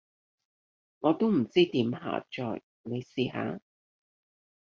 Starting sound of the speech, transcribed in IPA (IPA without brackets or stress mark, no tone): ŋ